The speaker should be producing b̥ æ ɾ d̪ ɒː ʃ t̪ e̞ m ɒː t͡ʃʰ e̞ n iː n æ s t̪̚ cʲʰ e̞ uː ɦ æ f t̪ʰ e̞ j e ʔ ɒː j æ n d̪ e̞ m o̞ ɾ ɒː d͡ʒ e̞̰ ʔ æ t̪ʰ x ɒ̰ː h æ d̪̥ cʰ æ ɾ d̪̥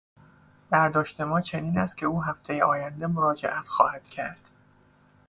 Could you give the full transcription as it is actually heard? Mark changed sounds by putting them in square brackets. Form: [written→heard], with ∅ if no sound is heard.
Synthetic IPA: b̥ æ ɾ d̪ ɒː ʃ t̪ e̞ m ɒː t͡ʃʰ e̞ n iː n æ s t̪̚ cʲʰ e̞ uː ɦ æ f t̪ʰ e̞ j e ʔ ɒː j æ n d̪ e̞ m o̞ ɾ ɒː d͡ʒ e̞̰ ʔ æ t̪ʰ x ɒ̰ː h æ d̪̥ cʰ æ ɾ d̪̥

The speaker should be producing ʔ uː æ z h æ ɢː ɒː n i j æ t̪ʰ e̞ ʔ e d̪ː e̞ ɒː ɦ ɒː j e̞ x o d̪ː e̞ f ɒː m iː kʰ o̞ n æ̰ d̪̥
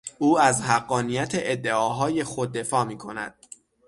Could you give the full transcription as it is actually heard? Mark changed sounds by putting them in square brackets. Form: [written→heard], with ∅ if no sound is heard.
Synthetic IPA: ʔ uː æ z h æ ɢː ɒː n i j æ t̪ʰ e̞ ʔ e d̪ː e̞ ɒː ɦ ɒː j e̞ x o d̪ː e̞ f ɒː m iː kʰ o̞ n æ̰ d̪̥

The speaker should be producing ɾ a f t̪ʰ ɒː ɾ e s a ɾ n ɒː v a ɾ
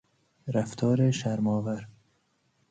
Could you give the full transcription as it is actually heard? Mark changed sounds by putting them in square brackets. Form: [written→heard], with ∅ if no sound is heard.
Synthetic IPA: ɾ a f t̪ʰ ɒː ɾ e [s→ʃ] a ɾ [n→m] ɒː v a ɾ

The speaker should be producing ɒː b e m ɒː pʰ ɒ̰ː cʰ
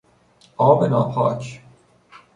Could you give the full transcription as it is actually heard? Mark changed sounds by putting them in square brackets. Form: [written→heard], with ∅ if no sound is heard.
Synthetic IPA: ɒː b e [m→n] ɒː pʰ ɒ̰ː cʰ

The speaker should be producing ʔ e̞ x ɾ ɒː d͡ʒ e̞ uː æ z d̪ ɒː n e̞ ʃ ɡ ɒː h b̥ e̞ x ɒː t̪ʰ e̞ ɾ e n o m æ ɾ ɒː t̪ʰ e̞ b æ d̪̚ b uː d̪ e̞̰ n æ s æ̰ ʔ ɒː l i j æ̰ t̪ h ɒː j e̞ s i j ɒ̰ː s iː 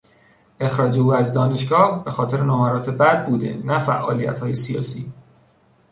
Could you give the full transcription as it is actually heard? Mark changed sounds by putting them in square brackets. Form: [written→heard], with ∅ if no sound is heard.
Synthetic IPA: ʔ e̞ x ɾ ɒː d͡ʒ e̞ uː æ z d̪ ɒː n e̞ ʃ ɡ ɒː h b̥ e̞ x ɒː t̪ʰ e̞ ɾ e n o m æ ɾ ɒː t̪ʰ e̞ b æ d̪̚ b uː d̪ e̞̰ n æ [s→f] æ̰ ʔ ɒː l i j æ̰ t̪ h ɒː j e̞ s i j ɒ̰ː s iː

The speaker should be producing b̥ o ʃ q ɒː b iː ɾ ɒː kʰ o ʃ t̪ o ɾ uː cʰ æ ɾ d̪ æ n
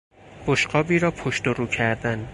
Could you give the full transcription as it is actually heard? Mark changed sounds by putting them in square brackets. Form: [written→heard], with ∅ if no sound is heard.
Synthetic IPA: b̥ o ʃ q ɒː b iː ɾ ɒː [kʰ→pʰ] o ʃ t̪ o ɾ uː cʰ æ ɾ d̪ æ n

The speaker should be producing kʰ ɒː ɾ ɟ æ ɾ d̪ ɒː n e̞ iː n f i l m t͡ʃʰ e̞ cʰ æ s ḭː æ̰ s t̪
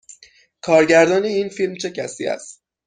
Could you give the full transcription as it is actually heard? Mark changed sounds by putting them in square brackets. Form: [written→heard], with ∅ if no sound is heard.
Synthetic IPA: kʰ ɒː ɾ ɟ æ ɾ d̪ ɒː n e̞ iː n f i l m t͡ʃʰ e̞ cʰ æ s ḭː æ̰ s t̪

